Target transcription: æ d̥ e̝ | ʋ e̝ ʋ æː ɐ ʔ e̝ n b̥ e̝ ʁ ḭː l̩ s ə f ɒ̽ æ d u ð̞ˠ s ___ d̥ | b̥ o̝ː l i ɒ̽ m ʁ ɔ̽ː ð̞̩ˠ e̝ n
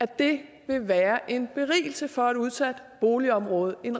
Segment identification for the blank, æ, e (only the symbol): æ